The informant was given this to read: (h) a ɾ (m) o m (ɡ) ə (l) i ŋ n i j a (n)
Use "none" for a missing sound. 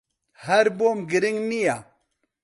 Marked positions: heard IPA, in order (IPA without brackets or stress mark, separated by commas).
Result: h, b, ɡ, ɾ, none